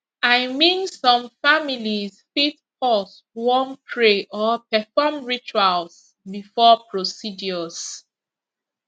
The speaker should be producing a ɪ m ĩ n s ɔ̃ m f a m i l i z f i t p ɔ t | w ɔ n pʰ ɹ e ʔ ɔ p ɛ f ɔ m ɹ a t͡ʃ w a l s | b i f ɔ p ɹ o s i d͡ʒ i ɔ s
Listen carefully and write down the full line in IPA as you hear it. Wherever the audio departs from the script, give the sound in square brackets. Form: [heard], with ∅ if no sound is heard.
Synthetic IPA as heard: a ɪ m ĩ n s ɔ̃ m f a m i l i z f i t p ɔ [s] | w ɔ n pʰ ɹ e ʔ ɔ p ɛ f ɔ m ɹ [i] t͡ʃ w a l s | b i f ɔ p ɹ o s i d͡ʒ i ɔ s